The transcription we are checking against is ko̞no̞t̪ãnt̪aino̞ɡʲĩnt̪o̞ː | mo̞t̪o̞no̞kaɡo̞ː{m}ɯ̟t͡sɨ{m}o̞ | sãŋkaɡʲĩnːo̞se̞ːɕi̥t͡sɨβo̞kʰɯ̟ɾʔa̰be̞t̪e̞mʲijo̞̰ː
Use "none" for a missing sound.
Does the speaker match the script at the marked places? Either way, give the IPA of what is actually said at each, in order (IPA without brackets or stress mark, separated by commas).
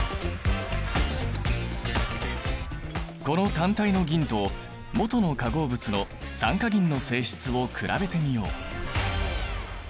b, n